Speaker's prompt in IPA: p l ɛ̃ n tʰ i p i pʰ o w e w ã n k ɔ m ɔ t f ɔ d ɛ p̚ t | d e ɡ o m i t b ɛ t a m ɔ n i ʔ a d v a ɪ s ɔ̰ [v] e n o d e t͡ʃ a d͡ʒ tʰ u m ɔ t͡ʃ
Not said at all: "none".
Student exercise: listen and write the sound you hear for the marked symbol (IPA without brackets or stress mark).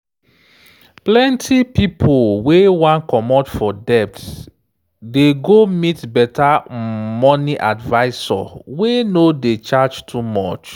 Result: w